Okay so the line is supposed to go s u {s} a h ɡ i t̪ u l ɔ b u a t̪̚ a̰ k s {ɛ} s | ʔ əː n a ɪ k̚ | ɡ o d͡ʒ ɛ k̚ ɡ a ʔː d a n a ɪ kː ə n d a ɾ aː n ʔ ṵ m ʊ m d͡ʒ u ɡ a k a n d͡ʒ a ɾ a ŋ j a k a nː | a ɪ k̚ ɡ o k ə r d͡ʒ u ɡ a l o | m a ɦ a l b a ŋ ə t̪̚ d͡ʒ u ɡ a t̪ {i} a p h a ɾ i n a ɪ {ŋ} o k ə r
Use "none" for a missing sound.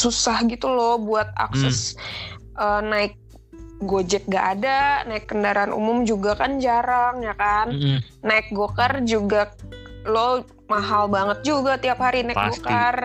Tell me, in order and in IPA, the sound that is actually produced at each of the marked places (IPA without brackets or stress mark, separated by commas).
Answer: s, ɛ, i, ɡ